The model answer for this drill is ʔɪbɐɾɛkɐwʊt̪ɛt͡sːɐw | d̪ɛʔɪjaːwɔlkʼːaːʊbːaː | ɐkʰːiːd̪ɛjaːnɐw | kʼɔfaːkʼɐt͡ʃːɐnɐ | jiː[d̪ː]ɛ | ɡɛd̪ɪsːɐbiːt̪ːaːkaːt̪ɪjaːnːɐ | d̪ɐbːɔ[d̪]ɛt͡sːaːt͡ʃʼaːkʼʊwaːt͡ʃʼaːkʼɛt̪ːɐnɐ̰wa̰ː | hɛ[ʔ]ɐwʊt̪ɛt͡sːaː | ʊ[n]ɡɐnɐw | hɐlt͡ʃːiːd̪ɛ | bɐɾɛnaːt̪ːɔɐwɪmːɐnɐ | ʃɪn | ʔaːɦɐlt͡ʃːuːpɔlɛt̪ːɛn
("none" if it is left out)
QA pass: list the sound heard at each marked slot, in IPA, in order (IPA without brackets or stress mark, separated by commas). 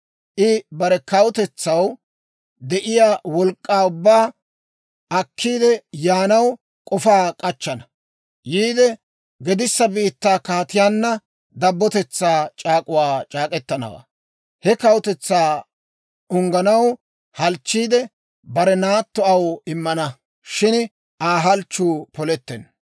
d̪, t̪, k, ŋ